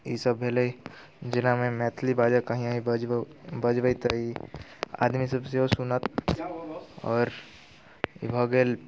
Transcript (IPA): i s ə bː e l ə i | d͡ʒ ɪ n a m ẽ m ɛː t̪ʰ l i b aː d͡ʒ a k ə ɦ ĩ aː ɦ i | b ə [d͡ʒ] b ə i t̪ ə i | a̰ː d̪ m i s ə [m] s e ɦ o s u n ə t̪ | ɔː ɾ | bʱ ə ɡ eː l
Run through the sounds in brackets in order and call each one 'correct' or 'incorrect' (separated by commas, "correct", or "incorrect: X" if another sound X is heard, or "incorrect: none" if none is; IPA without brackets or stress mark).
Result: correct, incorrect: b